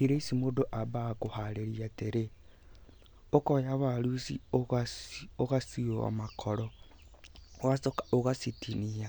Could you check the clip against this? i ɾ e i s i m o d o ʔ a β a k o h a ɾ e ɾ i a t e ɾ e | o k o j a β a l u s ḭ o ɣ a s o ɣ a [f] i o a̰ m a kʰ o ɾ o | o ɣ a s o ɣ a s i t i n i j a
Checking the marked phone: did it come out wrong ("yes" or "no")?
yes